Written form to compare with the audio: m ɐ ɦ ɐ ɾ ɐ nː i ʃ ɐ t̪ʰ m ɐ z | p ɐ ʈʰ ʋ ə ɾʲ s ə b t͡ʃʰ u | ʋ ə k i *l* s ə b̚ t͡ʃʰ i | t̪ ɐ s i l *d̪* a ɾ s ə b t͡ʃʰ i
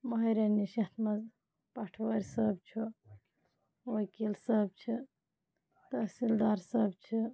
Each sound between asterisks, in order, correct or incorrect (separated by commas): correct, correct